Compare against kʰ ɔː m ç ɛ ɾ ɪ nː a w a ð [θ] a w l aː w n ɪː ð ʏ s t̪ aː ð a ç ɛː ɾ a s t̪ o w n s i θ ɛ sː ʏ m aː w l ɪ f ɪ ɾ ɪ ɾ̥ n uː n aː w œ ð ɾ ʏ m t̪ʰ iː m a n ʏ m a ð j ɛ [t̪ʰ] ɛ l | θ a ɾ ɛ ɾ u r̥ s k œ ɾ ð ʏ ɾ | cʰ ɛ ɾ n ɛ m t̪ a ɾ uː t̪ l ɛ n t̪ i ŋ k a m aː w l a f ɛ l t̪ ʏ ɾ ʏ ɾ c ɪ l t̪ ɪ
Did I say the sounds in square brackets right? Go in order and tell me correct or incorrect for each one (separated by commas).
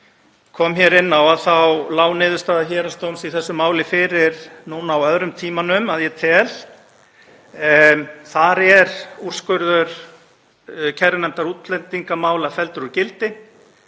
correct, correct